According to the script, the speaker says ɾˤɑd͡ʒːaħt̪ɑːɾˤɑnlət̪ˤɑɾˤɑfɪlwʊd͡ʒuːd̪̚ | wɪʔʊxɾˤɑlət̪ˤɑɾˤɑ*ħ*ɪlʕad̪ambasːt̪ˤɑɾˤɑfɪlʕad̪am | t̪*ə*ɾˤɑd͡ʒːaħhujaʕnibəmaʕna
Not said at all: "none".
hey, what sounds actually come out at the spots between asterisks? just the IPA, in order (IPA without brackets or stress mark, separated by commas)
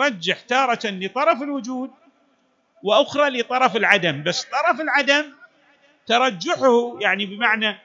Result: f, ɑ